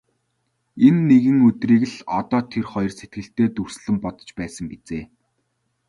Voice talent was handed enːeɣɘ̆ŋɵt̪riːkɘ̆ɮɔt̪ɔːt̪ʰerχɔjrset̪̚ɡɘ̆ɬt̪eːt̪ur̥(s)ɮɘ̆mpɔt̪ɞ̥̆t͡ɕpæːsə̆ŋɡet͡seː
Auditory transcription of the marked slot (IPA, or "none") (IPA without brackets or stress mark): s